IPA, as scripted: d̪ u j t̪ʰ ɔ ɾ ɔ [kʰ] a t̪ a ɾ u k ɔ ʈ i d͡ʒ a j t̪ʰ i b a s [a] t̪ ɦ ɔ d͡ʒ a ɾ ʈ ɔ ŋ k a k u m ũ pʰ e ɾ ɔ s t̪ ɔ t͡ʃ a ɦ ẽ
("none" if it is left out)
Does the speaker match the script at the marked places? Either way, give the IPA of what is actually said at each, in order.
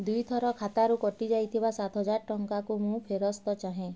kʰ, a

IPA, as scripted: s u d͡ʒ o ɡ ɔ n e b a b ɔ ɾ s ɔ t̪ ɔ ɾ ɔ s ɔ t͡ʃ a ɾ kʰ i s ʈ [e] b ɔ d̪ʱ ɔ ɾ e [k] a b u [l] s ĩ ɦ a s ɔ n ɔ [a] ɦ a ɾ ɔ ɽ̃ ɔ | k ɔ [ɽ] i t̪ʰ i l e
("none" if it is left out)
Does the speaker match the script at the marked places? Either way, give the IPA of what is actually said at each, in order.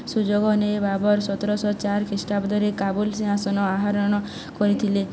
a, k, l, a, ɾ

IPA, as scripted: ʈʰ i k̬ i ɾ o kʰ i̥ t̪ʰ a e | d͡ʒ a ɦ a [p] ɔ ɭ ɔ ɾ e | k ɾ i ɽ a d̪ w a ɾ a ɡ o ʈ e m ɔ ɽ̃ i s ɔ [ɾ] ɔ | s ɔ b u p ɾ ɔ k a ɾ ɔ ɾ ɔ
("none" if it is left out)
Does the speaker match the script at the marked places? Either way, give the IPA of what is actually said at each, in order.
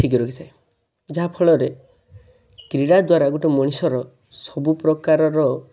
pʰ, ɾ

